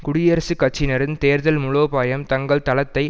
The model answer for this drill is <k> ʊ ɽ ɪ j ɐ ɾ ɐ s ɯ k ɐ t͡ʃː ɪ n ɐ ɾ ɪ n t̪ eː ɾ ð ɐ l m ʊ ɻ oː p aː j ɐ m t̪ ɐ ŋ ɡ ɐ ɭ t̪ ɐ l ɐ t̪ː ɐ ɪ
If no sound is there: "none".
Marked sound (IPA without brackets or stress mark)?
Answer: k